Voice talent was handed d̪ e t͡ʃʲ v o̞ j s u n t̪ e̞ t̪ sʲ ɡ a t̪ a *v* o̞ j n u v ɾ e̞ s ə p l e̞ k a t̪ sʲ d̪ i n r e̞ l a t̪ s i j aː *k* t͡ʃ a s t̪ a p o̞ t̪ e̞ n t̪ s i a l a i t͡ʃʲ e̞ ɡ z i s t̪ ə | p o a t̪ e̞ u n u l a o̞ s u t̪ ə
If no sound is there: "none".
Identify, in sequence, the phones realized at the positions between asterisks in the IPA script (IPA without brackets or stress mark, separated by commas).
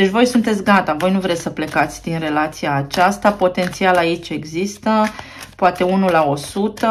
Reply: v, none